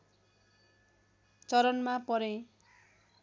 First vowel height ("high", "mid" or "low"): mid